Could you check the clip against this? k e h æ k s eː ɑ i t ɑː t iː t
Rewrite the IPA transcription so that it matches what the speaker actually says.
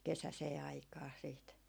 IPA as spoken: k e s æ s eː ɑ i k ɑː s iː t